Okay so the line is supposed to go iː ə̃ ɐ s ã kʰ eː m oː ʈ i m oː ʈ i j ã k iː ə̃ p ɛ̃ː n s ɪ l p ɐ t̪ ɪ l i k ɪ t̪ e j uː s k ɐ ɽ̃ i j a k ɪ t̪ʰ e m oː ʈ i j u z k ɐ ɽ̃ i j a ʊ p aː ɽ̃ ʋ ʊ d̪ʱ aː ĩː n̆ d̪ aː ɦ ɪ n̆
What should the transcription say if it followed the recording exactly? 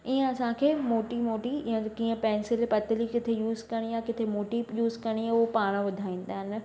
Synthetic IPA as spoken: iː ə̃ ɐ s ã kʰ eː m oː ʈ i m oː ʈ i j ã k iː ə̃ p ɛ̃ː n s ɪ l p ɐ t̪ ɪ l i k ɪ t̪ʰ e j uː z k ɐ ɽ̃ i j a k ɪ t̪ʰ e m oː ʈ i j uː z k ɐ ɽ̃ i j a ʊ p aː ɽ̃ ʋ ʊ d̪ʱ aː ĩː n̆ d̪ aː ɦ ɪ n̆